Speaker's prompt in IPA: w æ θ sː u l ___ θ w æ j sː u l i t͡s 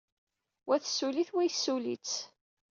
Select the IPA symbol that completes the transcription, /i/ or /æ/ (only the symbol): i